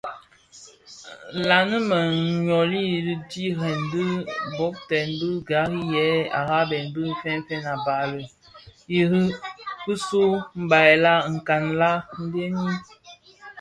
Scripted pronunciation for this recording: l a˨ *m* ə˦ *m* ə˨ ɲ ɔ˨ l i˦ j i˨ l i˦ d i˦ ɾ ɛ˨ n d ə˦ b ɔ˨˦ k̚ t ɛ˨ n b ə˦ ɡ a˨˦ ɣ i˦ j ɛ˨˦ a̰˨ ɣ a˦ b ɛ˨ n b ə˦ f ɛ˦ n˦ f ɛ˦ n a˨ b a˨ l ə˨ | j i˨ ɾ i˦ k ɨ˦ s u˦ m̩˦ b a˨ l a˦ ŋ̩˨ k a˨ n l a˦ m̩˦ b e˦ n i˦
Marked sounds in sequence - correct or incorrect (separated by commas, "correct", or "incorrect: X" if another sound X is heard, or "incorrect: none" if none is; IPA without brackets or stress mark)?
incorrect: n, correct